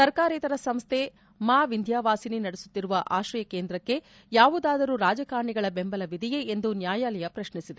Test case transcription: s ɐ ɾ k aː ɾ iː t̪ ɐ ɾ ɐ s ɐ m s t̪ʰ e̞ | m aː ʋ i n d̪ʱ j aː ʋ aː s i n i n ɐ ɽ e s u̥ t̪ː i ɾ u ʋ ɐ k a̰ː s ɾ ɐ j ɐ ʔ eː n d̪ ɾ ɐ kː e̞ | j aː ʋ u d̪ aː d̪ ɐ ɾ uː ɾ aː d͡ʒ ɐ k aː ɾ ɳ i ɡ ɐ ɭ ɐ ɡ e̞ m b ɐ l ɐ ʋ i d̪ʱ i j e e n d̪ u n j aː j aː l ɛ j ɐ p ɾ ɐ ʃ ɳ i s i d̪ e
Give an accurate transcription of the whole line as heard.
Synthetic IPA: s ɐ ɾ k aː ɾ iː t̪ ɐ ɾ ɐ s ɐ m s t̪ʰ e̞ | m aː ʋ i n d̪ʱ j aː ʋ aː s i n i n ɐ ɽ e s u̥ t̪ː i ɾ u ʋ ɐ ʔ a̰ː ʃ ɾ ɐ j ɐ k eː n d̪ ɾ ɐ kː e̞ | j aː ʋ u d̪ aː d̪ ɐ ɾ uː ɾ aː d͡ʒ ɐ k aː ɾ ɳ i ɡ ɐ ɭ ɐ b e̞ m b ɐ l ɐ ʋ i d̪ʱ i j e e n d̪ u n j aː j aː l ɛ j ɐ p ɾ ɐ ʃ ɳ i s i d̪ e